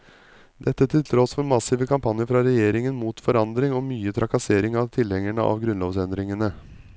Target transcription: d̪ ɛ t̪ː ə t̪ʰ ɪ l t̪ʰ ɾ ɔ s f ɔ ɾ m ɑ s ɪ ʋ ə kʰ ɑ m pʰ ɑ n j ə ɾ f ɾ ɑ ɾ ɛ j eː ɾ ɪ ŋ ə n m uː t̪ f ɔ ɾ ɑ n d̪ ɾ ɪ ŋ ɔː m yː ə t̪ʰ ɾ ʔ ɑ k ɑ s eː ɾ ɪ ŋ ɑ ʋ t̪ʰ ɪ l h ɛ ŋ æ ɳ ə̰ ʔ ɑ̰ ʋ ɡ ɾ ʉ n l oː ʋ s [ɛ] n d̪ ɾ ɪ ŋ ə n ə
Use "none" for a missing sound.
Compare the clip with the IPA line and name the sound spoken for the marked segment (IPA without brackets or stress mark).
ɛ